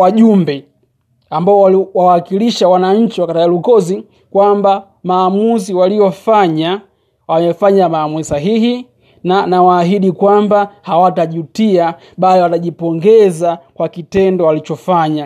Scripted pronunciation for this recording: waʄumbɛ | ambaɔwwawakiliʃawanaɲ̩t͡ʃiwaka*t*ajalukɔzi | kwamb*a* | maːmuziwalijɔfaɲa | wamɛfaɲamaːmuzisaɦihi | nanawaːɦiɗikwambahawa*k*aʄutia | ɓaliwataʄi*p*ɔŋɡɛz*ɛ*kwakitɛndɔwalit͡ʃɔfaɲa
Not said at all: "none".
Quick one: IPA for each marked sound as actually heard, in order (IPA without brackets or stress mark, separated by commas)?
t, a, t, p, a